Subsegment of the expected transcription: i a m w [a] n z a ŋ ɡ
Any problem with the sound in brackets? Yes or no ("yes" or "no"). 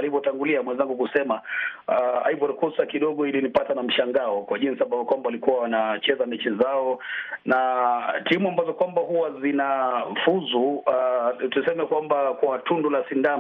yes